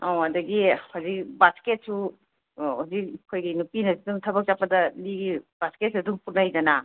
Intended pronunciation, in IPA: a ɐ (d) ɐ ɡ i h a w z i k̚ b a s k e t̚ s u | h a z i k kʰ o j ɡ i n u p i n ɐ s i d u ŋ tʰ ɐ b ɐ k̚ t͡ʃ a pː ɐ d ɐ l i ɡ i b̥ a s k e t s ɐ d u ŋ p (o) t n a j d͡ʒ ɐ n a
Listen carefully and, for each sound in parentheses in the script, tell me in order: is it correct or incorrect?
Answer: correct, incorrect

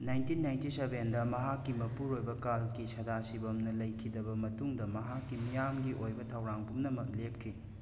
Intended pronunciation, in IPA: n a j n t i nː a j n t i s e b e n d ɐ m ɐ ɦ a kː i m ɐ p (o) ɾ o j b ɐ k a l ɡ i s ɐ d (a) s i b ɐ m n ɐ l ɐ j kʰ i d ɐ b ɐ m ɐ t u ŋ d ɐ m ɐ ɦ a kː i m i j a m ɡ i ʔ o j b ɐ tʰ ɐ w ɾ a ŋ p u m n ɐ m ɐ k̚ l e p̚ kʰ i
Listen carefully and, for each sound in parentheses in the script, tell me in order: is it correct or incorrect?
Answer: incorrect, correct

